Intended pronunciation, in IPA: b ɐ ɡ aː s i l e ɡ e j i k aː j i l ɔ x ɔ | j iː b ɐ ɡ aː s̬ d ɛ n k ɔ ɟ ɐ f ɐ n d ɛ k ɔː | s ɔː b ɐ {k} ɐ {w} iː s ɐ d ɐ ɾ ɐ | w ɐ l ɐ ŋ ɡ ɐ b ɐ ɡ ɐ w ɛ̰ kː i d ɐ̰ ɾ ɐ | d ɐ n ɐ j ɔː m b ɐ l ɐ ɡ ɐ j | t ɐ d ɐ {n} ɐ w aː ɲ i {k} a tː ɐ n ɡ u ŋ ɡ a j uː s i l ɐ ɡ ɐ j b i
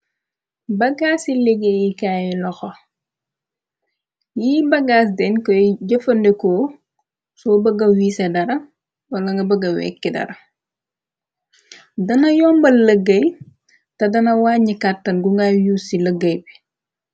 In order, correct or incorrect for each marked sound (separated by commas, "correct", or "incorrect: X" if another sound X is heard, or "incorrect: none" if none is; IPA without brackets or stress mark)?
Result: incorrect: ɡ, correct, correct, correct